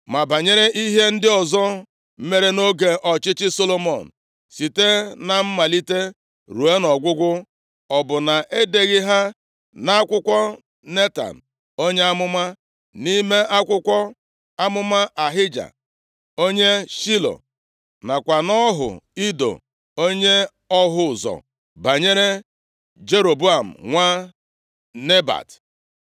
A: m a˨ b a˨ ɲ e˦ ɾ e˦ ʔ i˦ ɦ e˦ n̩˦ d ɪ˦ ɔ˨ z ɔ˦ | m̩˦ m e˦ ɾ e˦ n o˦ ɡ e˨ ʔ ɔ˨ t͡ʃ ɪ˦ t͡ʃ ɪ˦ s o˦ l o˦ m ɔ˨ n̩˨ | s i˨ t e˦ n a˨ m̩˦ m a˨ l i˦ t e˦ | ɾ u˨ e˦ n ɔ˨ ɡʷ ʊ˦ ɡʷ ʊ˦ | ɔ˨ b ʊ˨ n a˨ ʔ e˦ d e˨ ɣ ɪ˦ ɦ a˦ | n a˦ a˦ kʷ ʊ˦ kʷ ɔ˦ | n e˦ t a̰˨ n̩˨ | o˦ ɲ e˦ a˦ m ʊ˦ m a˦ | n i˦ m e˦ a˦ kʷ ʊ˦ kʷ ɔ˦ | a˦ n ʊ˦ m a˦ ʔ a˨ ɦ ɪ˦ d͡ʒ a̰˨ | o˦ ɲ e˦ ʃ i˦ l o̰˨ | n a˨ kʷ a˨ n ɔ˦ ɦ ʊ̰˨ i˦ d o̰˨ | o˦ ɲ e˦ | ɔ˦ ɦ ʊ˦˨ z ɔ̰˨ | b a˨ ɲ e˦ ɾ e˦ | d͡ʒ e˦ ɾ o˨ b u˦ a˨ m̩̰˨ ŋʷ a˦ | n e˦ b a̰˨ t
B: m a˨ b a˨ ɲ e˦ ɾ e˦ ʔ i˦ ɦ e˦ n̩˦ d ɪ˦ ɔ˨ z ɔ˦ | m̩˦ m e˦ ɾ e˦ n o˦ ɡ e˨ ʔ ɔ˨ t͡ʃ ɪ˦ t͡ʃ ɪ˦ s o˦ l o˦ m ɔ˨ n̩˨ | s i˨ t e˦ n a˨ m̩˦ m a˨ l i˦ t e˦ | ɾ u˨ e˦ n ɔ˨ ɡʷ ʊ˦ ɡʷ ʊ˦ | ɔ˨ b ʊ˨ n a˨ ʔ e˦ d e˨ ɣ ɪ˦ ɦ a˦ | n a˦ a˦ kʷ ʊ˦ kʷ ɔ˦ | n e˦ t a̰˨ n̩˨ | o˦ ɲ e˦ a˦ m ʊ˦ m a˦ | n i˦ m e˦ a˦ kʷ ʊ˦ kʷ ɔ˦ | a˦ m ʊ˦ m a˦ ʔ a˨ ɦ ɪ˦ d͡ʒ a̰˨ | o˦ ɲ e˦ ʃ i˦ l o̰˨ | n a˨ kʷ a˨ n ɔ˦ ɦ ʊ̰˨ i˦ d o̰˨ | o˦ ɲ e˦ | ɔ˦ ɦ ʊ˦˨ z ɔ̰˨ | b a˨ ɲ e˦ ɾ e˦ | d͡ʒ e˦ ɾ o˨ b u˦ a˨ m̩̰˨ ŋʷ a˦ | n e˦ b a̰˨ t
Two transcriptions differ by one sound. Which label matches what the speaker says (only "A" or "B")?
B